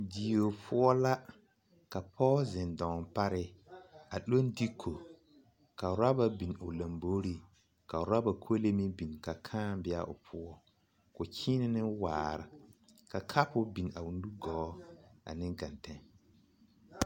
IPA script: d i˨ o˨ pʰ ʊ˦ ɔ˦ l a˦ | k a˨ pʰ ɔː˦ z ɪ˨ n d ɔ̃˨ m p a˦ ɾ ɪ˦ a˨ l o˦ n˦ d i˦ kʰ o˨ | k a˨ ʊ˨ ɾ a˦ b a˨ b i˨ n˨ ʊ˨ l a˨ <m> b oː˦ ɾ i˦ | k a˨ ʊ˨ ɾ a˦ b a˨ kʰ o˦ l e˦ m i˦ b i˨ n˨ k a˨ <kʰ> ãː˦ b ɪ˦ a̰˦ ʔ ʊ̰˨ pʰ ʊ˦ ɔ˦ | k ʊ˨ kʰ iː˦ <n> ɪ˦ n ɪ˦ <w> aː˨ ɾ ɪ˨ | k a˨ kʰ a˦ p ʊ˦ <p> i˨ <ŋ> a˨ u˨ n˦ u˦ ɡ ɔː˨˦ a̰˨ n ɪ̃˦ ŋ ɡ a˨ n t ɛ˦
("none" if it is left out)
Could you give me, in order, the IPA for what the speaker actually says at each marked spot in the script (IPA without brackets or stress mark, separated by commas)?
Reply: m, kʰ, n, w, b, n